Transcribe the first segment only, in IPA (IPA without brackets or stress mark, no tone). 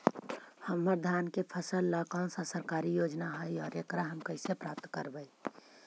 h